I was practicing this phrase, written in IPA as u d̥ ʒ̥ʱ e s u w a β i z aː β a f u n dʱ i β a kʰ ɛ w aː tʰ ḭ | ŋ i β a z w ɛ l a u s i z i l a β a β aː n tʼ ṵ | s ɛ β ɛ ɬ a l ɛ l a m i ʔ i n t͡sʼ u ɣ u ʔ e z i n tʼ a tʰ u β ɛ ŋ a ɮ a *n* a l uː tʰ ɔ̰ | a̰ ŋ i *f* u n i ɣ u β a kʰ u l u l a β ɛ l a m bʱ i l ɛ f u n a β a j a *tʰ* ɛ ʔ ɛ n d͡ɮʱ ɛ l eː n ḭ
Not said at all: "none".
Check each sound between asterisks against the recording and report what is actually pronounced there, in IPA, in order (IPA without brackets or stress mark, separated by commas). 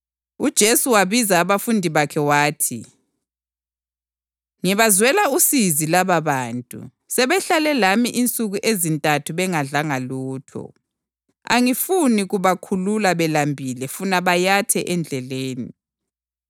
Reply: ŋ, f, tʰ